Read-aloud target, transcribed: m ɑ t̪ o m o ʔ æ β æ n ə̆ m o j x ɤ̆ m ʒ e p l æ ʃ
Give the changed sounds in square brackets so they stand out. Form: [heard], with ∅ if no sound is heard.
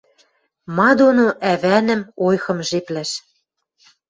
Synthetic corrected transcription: m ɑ [d̪] o [n] o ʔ æ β æ n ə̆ m o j x ɤ̆ m ʒ e p l æ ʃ